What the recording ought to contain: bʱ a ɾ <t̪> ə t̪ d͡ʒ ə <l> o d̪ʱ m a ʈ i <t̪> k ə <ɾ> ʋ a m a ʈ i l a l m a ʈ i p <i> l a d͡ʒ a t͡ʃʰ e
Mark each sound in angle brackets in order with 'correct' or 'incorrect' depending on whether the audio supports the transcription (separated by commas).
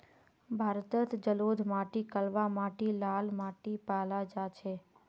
correct, correct, incorrect, incorrect, incorrect